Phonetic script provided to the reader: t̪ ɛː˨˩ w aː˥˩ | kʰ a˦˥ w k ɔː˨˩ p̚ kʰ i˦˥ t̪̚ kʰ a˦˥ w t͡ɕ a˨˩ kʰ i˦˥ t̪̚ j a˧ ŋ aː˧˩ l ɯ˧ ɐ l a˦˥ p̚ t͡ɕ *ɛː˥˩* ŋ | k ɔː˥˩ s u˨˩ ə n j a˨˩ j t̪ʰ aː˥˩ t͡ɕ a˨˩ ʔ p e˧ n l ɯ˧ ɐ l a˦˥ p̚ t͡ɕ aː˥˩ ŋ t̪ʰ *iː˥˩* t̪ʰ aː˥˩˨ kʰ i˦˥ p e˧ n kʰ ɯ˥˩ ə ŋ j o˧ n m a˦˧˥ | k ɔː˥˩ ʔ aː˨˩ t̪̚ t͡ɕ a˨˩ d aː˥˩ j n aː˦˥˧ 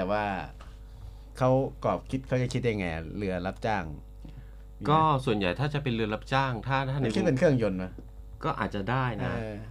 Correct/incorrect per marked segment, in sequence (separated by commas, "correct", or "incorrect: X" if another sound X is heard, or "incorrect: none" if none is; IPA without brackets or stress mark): incorrect: aː˥˩, incorrect: aː˥˩